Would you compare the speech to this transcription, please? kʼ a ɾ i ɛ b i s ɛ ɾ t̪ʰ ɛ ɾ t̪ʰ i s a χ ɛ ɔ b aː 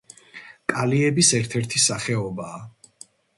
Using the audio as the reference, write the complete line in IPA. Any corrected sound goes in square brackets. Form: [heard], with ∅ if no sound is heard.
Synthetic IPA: kʼ a [l] i ɛ b i s ɛ ɾ t̪ʰ ɛ ɾ t̪ʰ i s a χ ɛ ɔ b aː